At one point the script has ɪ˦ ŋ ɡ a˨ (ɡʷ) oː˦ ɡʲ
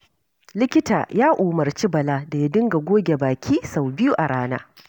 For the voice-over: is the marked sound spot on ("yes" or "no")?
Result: yes